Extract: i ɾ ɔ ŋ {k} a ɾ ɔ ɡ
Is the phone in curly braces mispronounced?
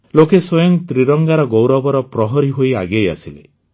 yes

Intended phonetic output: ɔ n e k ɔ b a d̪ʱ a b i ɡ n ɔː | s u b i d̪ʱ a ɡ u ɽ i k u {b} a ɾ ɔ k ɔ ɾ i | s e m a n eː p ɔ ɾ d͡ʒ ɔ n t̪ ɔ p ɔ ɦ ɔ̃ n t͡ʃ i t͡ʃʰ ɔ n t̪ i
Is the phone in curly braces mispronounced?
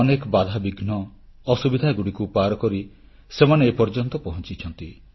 yes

